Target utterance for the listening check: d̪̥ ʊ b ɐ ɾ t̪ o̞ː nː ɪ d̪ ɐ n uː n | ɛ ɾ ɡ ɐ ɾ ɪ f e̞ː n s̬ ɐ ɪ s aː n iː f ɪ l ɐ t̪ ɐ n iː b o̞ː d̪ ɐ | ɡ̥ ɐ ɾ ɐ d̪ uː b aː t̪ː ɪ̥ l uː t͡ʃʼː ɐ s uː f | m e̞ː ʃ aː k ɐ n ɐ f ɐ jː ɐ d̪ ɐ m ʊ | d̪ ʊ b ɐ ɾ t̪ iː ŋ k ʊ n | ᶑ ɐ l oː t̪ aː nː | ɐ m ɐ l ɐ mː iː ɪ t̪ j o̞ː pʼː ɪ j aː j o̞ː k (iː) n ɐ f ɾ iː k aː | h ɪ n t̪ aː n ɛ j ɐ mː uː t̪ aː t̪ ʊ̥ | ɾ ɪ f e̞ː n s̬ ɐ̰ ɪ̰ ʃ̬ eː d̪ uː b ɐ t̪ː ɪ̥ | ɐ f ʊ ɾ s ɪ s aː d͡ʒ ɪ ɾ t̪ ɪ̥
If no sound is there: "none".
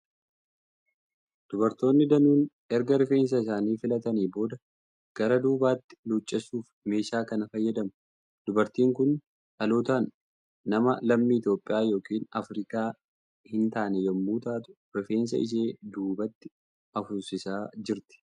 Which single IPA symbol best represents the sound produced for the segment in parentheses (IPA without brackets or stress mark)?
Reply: iː